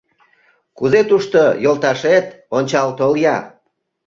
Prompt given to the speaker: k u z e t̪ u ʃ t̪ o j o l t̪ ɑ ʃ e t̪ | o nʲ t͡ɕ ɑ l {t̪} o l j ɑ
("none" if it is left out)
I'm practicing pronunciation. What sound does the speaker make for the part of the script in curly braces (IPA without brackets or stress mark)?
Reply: t̪